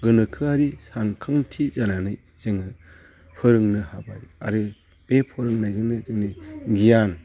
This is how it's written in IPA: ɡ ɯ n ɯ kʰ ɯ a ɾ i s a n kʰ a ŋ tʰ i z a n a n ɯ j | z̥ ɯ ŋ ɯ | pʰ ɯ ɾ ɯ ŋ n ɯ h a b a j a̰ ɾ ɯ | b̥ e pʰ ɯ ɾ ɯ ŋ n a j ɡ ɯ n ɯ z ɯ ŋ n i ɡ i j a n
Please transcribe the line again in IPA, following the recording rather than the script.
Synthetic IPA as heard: ɡ ɯ n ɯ kʰ ɯ a ɾ i s a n kʰ a ŋ tʰ i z a n a n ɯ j | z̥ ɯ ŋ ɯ | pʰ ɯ ɾ ɯ ŋ n ɯ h a b a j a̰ ɾ ɯ | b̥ e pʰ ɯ ɾ ɯ ŋ n a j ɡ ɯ n ɯ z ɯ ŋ n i ɡ i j a n